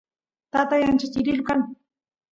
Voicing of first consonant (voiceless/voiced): voiceless